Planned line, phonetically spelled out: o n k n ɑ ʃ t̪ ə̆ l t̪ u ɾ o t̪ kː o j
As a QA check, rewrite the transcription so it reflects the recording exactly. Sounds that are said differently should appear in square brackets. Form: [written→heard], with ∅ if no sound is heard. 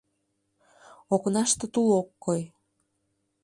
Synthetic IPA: o [n→∅] k n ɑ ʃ t̪ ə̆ [l→∅] t̪ u [ɾ→l] o [t̪→∅] kː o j